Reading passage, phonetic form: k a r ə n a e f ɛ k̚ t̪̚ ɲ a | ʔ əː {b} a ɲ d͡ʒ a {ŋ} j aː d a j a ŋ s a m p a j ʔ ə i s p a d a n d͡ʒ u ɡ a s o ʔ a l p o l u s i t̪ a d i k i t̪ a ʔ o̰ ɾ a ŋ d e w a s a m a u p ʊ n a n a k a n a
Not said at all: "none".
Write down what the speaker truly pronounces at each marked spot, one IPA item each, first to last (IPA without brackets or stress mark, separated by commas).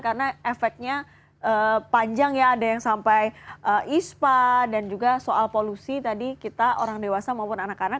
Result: p, ŋ